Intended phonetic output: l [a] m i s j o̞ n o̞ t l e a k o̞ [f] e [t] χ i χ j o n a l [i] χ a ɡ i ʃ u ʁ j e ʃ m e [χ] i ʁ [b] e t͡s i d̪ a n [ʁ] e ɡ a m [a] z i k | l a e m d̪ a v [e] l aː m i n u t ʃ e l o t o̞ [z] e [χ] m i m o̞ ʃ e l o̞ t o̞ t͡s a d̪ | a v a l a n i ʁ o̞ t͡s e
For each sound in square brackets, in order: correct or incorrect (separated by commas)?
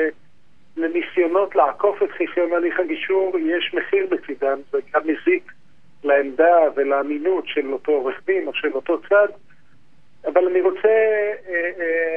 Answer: incorrect, correct, correct, correct, correct, correct, incorrect, incorrect, correct, incorrect, correct